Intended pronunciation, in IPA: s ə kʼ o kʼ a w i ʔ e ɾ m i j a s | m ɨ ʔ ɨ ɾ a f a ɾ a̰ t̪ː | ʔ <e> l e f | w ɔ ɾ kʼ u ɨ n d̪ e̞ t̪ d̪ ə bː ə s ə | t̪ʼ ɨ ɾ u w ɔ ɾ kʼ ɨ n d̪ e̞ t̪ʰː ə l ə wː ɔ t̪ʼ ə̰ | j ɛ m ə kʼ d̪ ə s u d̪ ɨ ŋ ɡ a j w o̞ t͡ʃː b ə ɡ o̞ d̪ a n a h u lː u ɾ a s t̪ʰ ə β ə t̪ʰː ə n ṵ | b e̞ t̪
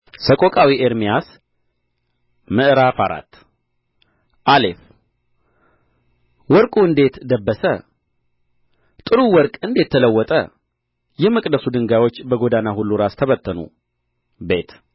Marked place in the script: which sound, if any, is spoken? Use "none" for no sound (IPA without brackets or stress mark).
a